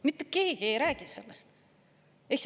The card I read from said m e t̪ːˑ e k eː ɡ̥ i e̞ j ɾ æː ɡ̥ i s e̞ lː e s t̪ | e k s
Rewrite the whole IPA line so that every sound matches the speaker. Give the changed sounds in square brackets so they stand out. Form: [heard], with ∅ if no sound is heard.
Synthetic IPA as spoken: m [i] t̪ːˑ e k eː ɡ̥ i e̞ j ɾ æː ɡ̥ i s e̞ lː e s t̪ | e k s